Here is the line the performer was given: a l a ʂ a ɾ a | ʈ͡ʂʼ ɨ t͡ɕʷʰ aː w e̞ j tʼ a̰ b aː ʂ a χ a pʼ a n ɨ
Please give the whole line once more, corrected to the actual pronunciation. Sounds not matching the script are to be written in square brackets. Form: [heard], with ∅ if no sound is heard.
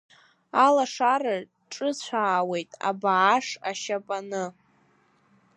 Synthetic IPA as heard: a l a ʂ a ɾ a | ʈ͡ʂʼ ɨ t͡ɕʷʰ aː w e̞ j tʼ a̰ b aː ʂ a [ʃ] a pʼ a n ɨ